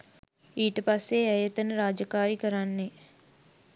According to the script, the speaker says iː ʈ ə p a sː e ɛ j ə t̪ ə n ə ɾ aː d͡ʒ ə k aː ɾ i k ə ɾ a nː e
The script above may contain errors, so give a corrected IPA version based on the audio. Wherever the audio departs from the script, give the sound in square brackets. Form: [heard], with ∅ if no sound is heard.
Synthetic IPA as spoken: iː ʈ ə p a sː e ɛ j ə t̪ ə n ə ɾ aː d͡ʒ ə k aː ɾ i k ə ɾ a nː e